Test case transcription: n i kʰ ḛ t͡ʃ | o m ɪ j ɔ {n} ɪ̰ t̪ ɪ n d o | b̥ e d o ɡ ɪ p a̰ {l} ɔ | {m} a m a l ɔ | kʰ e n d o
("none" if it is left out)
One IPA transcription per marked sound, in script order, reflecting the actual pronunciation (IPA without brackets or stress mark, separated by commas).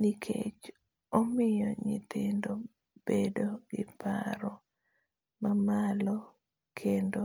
ɲ, ɾ, m